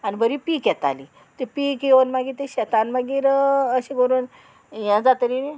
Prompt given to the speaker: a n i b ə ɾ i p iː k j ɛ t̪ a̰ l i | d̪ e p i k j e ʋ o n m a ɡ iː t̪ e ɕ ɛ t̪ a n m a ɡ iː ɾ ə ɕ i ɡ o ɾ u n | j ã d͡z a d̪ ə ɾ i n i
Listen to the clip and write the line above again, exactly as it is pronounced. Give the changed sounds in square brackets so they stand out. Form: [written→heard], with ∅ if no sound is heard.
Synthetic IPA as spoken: a n i b ə ɾ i p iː k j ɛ t̪ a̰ l i | [d̪→t̪] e p i k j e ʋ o n m a ɡ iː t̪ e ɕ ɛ t̪ a n m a ɡ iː ɾ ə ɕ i ɡ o ɾ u n | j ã d͡z a [d̪→t̪] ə ɾ i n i